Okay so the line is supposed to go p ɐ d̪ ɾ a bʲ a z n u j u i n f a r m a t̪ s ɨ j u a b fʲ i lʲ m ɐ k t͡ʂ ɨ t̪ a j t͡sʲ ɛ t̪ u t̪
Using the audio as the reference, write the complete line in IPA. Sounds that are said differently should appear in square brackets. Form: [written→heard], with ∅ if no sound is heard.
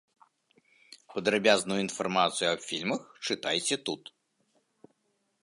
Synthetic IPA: p ɐ d̪ ɾ a bʲ a z n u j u i n f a r m a t̪ s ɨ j u [a→ɐ] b fʲ i lʲ m ɐ [k→x] t͡ʂ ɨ t̪ a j t͡sʲ ɛ t̪ u t̪